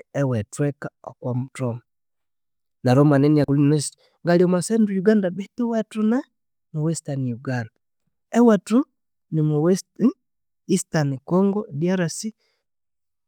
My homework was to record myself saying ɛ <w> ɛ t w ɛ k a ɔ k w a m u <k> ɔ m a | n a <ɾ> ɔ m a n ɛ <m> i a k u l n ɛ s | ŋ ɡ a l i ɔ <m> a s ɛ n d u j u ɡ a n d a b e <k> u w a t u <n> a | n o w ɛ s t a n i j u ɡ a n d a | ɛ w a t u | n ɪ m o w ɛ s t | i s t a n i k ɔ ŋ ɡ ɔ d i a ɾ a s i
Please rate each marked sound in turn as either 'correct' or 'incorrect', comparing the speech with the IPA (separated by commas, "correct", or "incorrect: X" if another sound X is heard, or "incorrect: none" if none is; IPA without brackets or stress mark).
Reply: correct, incorrect: t, correct, incorrect: n, correct, incorrect: t, correct